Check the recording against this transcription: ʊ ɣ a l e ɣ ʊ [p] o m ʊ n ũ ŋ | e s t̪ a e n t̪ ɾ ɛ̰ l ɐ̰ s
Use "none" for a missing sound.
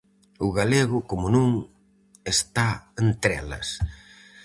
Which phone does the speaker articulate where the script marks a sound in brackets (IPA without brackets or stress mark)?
k